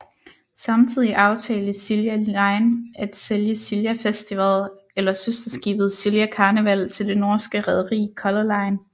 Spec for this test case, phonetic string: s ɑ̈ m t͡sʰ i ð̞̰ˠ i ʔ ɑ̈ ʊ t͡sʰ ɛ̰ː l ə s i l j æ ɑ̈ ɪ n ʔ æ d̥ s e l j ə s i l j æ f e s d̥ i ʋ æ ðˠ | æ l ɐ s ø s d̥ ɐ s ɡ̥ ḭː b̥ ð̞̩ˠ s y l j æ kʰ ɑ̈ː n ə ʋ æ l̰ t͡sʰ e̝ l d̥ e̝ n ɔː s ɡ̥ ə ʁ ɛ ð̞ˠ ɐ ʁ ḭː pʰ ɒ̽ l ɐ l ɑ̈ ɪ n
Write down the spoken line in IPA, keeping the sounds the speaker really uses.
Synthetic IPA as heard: s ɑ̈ m t͡sʰ i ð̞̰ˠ i ʔ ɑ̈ ʊ t͡sʰ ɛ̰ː l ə s i l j æ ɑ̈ ɪ n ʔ æ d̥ s e l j ə s i l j æ f e s d̥ i ʋ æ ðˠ | e l ɐ s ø s d̥ ɐ s ɡ̥ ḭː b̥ ð̞̩ˠ s i l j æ kʰ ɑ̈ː n ə ʋ æ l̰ t͡sʰ e̝ l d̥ e̝ n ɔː s ɡ̥ ə ʁ ɛ ð̞ˠ ɐ ʁ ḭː kʰ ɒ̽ l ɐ l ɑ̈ ɪ n